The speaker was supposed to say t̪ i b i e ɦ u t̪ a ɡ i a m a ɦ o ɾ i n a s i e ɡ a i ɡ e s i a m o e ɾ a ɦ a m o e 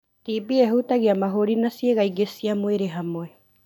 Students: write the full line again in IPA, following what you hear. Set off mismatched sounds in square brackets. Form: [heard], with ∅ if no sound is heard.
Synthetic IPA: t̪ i b i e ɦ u t̪ a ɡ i a m a ɦ o ɾ i n a s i e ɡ a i ɡ e s i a m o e ɾ [e] ɦ a m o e